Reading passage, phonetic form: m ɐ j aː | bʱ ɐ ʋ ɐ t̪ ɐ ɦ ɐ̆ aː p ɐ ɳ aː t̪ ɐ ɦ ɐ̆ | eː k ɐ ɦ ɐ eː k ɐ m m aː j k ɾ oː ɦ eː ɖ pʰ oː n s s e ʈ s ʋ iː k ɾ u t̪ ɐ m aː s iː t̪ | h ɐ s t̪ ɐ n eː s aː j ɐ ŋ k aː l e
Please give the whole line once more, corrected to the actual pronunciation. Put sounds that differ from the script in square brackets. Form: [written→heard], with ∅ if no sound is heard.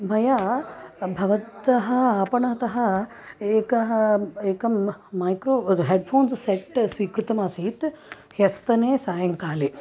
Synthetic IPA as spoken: m ɐ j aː | bʱ ɐ ʋ ɐ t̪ ɐ ɦ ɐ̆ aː p ɐ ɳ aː t̪ ɐ ɦ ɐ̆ | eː k ɐ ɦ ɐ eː k ɐ m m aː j k ɾ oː ɦ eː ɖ pʰ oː n s s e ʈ s ʋ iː k ɾ u t̪ ɐ m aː s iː t̪ | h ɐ s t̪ ɐ n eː s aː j ɐ ŋ k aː l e